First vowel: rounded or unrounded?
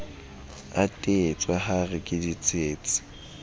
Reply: unrounded